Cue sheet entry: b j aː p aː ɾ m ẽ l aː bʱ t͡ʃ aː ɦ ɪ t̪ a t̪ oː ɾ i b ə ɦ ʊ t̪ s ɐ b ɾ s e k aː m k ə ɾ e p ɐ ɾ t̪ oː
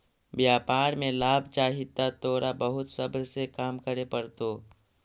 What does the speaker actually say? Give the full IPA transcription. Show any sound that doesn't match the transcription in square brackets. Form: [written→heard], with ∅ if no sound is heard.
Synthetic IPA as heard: b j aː p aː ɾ m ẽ l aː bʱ t͡ʃ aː ɦ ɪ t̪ a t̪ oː ɾ [i→a] b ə ɦ ʊ t̪ s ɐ b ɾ s e k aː m k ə ɾ e p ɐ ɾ t̪ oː

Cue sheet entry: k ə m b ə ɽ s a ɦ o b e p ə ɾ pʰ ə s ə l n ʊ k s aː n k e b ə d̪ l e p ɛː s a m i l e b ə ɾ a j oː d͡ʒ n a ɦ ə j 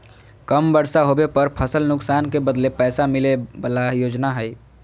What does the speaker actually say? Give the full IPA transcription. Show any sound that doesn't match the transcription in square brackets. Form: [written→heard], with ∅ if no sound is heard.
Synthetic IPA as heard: k ə m b ə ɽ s a ɦ o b e p ə ɾ pʰ ə s ə l n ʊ k s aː n k e b ə d̪ l e p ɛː s a m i l e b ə [ɾ→l] a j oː d͡ʒ n a ɦ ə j

